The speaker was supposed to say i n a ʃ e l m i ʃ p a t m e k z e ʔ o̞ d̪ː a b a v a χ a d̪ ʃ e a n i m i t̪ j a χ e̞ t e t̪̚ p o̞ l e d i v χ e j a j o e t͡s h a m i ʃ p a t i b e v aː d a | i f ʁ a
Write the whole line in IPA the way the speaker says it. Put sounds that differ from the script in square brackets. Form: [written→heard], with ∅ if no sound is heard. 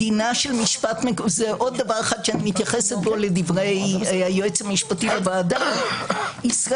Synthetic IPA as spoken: i n a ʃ e l m i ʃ p a t m e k z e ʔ o̞ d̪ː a [b→v] a [v→ʁ] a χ a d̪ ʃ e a n i m i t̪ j a χ e̞ [t→s] e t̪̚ [p→b] o̞ l e d i v [χ→ʁ] e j a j o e t͡s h a m i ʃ p a t i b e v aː d a | i [f→s] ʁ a